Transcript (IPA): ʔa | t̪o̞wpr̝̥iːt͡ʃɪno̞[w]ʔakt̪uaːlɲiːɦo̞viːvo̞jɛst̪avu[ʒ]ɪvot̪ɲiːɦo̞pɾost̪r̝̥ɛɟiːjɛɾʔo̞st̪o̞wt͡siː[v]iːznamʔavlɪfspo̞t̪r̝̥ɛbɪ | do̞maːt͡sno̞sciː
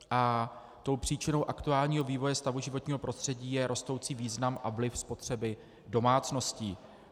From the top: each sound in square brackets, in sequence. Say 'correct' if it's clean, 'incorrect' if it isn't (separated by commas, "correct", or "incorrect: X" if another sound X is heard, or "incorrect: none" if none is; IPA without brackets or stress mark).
correct, correct, correct